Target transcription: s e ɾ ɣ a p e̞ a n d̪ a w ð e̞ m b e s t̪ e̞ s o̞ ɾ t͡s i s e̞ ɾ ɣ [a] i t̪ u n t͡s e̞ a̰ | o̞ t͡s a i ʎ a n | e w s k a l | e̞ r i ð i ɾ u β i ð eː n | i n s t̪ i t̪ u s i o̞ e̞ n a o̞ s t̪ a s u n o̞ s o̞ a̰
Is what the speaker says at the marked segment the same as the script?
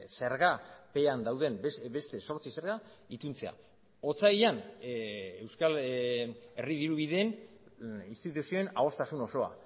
yes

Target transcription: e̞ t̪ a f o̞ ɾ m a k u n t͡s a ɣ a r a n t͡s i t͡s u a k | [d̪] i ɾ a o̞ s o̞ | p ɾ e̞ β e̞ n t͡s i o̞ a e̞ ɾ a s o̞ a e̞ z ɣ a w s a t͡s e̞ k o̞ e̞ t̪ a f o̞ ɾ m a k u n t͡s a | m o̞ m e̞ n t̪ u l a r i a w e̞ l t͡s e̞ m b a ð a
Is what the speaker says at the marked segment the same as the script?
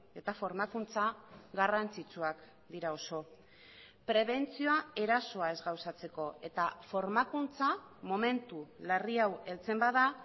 yes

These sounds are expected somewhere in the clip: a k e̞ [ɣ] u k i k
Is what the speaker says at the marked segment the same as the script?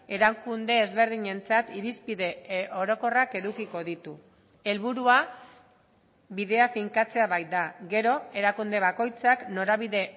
no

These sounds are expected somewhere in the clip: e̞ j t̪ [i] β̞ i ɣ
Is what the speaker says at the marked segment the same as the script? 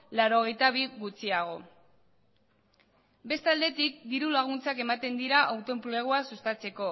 no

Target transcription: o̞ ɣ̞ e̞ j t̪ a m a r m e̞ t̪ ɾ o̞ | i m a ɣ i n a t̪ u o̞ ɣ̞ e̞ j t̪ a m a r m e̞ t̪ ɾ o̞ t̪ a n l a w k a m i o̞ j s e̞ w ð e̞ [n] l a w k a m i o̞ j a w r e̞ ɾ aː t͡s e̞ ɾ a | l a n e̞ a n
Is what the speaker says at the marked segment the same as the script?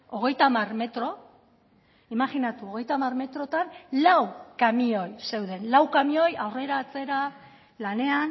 yes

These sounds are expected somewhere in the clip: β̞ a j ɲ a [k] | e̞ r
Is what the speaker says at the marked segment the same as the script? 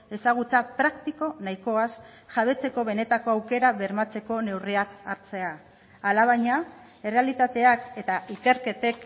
no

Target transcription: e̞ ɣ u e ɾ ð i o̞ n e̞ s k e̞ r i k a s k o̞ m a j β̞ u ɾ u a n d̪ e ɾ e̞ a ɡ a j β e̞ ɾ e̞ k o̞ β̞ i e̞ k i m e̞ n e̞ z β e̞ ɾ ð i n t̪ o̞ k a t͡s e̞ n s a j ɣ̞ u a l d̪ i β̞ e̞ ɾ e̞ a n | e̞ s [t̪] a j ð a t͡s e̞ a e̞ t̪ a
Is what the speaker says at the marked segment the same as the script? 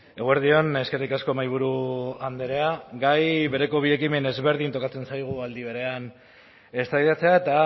yes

